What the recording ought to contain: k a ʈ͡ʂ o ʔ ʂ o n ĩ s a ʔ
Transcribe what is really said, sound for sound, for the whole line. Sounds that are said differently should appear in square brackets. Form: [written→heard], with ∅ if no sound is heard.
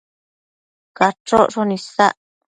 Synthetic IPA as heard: k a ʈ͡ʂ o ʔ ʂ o n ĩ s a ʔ